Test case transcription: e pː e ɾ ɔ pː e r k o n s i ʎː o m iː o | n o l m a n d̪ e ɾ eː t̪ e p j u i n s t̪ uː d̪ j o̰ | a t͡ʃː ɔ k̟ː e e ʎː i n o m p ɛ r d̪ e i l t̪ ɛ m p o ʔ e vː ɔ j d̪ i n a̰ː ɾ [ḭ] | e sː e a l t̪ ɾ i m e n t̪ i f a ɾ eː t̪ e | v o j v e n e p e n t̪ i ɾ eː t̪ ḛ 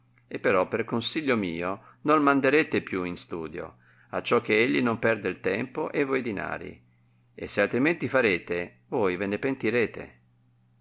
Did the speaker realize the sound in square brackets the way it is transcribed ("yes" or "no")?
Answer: yes